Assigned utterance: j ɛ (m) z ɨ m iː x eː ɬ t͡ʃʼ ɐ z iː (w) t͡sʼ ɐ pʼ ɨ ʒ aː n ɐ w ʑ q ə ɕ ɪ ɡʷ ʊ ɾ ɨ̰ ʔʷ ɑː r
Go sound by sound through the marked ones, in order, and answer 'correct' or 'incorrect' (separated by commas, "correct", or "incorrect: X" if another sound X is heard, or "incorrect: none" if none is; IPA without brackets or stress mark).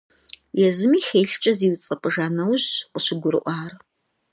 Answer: incorrect: none, correct